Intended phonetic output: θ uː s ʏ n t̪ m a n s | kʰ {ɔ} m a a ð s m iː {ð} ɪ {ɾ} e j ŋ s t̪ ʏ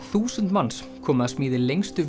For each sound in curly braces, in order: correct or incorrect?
incorrect: ɔː, correct, incorrect: l

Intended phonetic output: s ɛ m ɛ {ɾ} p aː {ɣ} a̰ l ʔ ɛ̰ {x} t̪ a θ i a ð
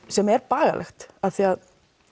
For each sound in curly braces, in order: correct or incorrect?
correct, correct, correct

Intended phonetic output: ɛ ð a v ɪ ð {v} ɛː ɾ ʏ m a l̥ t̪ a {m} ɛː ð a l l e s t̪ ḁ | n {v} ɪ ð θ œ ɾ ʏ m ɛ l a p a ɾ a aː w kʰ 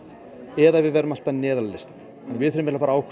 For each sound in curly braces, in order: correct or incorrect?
correct, incorrect: n, correct

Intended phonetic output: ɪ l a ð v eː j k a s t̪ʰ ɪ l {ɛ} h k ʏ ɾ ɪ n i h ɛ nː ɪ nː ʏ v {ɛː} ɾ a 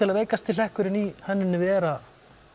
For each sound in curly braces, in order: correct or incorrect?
correct, correct

